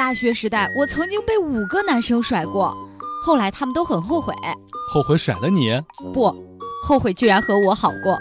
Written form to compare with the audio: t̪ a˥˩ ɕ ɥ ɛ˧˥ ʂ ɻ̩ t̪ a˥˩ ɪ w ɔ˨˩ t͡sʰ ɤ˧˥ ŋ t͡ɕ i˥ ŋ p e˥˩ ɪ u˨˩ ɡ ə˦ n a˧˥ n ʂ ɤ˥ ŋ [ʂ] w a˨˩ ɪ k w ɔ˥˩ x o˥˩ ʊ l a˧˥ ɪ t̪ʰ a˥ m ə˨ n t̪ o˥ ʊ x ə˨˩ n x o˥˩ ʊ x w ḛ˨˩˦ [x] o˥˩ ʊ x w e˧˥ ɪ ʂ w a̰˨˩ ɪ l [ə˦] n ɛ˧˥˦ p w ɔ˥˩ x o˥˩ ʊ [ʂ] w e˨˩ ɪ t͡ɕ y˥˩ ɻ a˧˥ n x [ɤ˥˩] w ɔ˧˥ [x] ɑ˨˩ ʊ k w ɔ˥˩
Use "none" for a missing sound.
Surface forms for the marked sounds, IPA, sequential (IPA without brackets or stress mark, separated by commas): ʂ, x, ə˦, x, ɤ˧˥, x